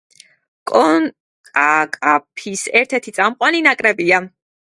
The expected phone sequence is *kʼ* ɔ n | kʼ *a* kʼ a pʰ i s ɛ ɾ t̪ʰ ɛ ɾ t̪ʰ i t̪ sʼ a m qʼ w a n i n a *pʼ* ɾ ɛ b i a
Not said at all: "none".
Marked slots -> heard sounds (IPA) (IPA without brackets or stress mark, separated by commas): kʼ, a, kʼ